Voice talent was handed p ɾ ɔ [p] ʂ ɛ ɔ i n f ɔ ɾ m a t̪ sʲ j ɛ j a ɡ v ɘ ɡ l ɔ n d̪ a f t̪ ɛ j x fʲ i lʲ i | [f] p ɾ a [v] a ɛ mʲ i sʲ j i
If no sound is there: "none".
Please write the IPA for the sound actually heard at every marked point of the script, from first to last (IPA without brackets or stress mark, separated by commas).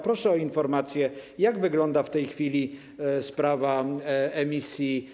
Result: none, s, v